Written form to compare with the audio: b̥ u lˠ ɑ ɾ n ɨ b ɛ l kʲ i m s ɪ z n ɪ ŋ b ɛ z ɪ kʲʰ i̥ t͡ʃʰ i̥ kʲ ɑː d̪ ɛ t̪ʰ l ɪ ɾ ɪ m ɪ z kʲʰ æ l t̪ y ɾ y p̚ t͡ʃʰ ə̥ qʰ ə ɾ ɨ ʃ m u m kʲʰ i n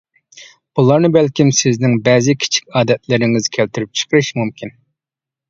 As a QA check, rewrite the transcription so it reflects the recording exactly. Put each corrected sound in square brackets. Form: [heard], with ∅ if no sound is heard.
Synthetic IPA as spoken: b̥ u lˠ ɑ ɾ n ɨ b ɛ l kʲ i m s ɪ z n ɪ ŋ b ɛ z ɪ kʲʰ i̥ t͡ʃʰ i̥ kʲ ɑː d̪ ɛ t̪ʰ l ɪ ɾ ɪ [ŋ] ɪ z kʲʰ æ l t̪ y ɾ y p̚ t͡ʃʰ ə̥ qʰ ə ɾ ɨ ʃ m u m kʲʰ i n